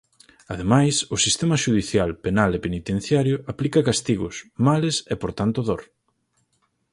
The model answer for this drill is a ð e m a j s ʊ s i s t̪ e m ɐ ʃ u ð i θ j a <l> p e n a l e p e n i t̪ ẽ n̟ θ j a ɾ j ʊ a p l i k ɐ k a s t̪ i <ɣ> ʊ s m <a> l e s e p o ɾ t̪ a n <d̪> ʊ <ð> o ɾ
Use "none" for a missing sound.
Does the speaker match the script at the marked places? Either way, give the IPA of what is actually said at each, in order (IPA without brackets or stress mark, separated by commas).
l, ɣ, a, t̪, ð